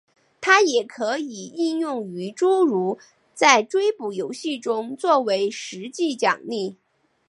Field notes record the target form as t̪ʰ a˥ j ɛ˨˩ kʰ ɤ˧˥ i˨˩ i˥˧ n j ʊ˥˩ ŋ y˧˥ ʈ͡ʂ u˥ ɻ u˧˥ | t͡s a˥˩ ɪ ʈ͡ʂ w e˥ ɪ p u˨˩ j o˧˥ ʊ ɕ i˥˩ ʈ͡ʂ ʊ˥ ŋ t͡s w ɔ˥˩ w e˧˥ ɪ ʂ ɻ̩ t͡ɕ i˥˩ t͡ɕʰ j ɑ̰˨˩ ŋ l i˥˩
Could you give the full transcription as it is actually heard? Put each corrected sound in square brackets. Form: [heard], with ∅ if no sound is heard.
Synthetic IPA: t̪ʰ a˥ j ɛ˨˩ kʰ ɤ˧˥ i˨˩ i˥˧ n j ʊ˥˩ ŋ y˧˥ ʈ͡ʂ u˥ ɻ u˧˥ | t͡s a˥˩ ɪ ʈ͡ʂ w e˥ ɪ p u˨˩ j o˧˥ ʊ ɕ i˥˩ ʈ͡ʂ ʊ˥ ŋ t͡s w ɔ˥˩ w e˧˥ ɪ ʂ ɻ̩ t͡ɕ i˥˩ [t͡ɕ] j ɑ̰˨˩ ŋ l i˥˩